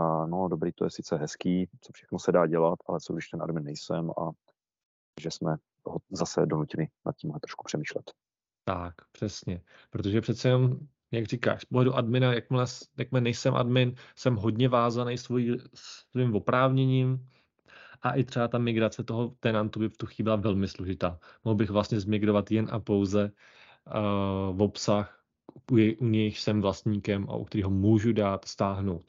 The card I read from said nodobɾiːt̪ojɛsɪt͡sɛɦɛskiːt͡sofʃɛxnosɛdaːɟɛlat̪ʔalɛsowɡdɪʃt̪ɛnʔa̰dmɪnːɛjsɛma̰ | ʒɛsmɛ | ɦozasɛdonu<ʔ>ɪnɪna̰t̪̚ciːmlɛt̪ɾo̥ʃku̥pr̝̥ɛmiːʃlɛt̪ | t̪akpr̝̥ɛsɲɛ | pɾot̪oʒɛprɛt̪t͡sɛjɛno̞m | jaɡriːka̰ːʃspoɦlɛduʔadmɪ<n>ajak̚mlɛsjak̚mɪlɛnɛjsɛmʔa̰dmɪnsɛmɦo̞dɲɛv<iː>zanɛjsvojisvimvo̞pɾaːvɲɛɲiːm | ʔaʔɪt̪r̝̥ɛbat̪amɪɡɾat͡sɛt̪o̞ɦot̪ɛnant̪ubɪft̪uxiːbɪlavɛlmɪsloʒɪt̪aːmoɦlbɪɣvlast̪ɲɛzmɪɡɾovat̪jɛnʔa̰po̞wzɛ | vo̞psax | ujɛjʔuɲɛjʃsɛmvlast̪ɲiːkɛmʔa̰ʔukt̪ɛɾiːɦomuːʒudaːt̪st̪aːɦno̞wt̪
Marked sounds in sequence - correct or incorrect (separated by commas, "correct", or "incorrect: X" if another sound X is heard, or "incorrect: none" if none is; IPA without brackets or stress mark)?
incorrect: c, correct, incorrect: aː